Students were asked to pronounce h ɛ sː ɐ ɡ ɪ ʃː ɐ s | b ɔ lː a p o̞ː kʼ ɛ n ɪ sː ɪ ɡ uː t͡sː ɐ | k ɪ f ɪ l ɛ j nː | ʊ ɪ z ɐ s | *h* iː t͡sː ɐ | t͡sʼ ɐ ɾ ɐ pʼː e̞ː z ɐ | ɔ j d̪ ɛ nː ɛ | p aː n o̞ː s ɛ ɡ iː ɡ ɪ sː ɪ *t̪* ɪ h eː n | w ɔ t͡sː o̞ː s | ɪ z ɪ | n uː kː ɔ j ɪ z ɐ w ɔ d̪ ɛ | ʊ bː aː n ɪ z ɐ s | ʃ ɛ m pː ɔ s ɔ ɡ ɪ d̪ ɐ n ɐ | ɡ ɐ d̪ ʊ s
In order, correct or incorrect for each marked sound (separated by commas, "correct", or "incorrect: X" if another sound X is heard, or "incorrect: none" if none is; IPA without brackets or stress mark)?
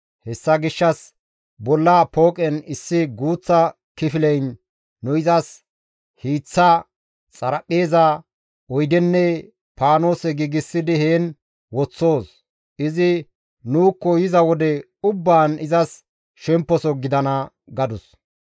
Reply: correct, incorrect: d̪